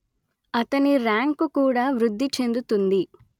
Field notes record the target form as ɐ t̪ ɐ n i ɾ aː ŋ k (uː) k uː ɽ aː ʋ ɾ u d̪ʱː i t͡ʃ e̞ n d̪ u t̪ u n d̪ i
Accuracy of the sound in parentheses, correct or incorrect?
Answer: incorrect